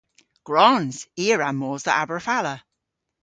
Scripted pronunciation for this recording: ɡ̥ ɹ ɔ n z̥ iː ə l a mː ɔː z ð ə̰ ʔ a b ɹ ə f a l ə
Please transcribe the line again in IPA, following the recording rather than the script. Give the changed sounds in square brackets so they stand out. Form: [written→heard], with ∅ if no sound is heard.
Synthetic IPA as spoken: ɡ̥ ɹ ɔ n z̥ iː ə [l→ɹ] a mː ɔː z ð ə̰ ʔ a b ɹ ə f a l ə